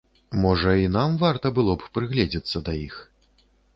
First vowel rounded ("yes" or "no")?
yes